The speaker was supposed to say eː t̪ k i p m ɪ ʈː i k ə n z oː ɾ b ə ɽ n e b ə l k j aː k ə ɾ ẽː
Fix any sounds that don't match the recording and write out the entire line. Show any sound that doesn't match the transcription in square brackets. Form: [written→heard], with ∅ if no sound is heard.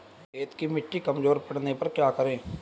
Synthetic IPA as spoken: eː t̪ k i [p→∅] m ɪ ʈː i k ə [n→m] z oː ɾ [b→p] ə ɽ n e [b→p] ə [l→ɾ] k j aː k ə ɾ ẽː

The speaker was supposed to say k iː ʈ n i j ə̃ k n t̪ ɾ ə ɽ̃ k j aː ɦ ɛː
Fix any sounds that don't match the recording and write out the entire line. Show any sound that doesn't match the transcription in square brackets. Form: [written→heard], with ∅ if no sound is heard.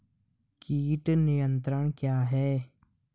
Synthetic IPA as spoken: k iː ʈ n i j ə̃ [k→∅] n t̪ ɾ ə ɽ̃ k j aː ɦ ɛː

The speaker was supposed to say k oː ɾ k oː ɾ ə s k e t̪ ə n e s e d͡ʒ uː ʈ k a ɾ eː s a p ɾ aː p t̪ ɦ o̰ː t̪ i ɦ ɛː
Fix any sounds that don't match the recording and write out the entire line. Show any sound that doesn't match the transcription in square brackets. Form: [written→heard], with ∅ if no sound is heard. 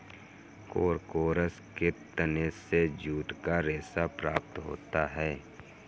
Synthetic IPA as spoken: k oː ɾ k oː ɾ ə s k e t̪ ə n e s e d͡ʒ uː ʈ k a ɾ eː s a p ɾ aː p t̪ ɦ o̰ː t̪ [i→a] ɦ ɛː

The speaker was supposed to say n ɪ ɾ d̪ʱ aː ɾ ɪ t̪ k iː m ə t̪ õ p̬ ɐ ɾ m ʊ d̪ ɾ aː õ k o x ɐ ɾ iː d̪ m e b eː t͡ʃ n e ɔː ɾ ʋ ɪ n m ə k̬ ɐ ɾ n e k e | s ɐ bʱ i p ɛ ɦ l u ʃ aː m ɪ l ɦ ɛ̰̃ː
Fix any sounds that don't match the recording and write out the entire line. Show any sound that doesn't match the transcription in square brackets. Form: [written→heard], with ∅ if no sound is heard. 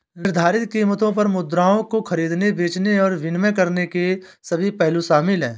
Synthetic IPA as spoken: n ɪ ɾ d̪ʱ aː ɾ ɪ t̪ k iː m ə t̪ õ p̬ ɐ ɾ m ʊ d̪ ɾ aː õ k o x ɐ ɾ iː d̪ [m→n] e b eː t͡ʃ n e ɔː ɾ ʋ ɪ n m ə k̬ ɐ ɾ n e k e | s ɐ bʱ i p ɛ ɦ l u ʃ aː m ɪ l ɦ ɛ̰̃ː

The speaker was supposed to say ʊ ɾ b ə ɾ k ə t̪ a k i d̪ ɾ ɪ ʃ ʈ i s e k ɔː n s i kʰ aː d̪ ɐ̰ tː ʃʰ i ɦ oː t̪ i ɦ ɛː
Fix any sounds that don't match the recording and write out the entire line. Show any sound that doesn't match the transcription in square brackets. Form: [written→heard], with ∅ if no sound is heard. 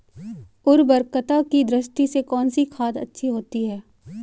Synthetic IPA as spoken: ʊ ɾ b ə ɾ k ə t̪ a k i d̪ ɾ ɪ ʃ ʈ i s e k ɔː n s i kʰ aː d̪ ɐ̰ tː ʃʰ i ɦ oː t̪ i ɦ ɛː

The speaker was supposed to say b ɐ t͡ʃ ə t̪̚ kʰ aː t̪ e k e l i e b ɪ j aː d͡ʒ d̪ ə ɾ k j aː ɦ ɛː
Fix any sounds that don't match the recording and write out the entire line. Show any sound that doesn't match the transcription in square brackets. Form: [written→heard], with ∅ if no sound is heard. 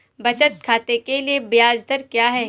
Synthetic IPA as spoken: b ɐ t͡ʃ ə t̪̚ kʰ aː t̪ e k e l i e b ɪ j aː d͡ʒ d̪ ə ɾ k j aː ɦ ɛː

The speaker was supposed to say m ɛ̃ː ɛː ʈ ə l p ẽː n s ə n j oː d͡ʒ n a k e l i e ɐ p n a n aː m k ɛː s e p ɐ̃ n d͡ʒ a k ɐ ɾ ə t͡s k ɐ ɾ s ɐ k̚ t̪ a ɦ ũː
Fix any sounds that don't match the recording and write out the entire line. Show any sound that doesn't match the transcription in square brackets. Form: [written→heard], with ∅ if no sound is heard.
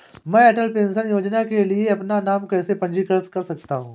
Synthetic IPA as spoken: m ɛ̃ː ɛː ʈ ə l p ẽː n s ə n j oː d͡ʒ n a k e l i e ɐ p n a n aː m k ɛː s e p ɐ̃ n d͡ʒ [a→i] k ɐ ɾ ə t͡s k ɐ ɾ s ɐ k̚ t̪ a ɦ ũː

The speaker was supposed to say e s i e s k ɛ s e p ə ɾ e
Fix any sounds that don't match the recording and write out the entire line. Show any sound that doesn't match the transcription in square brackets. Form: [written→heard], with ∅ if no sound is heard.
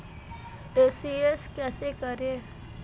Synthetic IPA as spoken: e s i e s k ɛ s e [p→k] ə ɾ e

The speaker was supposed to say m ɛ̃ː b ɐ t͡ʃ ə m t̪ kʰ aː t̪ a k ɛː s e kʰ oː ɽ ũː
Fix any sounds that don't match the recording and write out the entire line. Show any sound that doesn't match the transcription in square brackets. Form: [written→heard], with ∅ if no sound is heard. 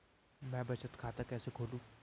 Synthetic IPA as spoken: m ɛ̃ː b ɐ t͡ʃ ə [m→∅] t̪ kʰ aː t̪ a k ɛː s e kʰ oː [ɽ→l] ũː

